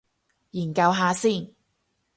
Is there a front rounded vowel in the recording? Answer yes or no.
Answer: no